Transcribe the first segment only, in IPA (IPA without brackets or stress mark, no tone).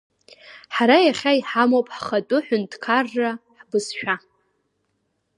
ħ